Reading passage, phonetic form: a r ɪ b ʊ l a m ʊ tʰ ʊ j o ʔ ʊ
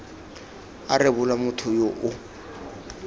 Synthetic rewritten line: a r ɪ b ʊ l a m ʊ tʰ ʊ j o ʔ ʊ